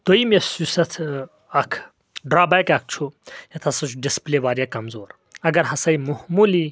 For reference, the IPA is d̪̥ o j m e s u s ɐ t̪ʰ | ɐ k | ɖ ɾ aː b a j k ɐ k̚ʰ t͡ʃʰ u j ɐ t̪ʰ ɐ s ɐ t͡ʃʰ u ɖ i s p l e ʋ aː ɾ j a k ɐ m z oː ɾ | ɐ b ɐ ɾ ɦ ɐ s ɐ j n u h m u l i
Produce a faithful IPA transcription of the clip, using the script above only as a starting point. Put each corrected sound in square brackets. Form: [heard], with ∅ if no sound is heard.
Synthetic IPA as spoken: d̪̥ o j m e s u s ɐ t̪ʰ | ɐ [kʰ] | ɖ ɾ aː b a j k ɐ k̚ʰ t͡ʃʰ u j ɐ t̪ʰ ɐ s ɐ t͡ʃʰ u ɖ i s p l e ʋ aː ɾ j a k ɐ m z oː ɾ | ɐ [ɡ] ɐ ɾ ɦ ɐ s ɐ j [m] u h m u l i